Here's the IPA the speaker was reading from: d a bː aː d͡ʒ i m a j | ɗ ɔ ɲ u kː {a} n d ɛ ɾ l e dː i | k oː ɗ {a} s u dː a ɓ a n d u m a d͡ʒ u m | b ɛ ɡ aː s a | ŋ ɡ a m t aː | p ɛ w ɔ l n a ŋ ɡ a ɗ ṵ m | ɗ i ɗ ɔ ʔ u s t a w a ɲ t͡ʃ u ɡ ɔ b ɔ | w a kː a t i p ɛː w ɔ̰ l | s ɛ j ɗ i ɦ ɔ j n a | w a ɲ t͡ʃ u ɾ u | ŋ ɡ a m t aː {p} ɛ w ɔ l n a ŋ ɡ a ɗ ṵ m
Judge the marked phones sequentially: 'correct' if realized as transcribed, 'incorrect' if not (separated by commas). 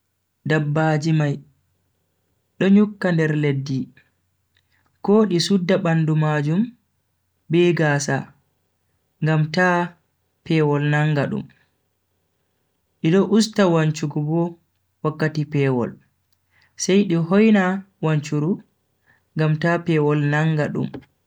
correct, incorrect, correct